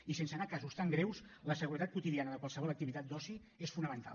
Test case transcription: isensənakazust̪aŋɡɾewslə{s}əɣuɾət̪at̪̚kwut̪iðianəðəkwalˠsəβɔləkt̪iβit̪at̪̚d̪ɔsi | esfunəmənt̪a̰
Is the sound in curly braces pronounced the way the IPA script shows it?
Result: yes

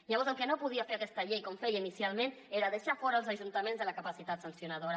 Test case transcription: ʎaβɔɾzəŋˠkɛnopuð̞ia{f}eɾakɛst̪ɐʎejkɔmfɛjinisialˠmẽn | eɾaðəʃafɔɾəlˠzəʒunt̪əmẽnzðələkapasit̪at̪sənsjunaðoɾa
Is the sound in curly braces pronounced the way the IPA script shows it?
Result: yes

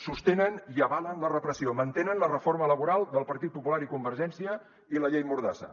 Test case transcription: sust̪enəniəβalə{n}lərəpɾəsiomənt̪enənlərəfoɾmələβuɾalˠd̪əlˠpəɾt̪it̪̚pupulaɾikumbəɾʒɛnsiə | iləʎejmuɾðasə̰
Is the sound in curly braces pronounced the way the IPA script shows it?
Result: yes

